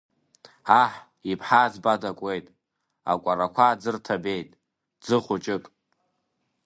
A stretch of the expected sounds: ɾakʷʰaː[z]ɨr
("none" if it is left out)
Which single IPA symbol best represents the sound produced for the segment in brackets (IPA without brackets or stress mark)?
d͡z